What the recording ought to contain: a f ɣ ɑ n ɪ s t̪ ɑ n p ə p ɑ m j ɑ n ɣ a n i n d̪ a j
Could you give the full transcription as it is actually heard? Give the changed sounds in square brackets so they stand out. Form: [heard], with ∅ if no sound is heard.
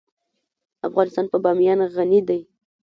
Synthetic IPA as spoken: a f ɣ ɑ n ɪ s t̪ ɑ n p ə [b] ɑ m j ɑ n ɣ a n i [∅] d̪ a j